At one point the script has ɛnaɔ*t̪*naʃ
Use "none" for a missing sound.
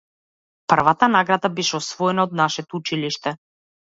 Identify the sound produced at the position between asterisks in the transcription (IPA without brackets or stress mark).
d̪